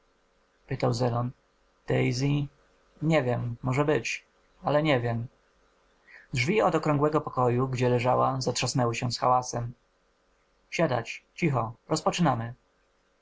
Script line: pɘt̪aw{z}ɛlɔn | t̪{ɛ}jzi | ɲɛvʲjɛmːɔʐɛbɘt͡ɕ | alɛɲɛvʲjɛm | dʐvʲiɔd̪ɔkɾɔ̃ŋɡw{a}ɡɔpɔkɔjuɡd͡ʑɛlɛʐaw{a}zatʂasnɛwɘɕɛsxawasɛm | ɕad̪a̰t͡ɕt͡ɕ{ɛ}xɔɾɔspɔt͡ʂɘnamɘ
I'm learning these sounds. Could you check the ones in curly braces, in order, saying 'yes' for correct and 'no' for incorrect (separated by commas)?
yes, yes, no, yes, no